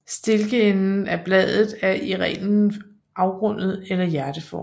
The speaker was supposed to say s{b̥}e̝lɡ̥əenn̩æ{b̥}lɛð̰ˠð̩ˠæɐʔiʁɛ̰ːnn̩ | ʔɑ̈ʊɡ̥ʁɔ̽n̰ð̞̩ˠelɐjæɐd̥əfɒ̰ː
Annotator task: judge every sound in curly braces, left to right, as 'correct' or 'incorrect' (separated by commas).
incorrect, correct